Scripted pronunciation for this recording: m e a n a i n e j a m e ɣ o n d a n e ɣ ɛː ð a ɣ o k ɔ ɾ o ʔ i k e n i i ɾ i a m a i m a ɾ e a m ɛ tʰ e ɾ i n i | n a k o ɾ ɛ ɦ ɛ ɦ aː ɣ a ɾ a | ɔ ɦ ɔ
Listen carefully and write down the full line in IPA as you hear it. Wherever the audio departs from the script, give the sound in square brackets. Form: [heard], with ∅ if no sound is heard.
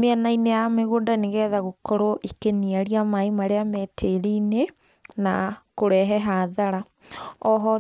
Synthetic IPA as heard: m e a n a i n e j a m e ɣ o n d a n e ɣ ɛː ð a ɣ o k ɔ ɾ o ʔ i k e n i [a] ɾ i a m a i m a ɾ e a m ɛ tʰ e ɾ i n [e] | n a k o ɾ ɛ ɦ ɛ ɦ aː [ð] a ɾ a | ɔ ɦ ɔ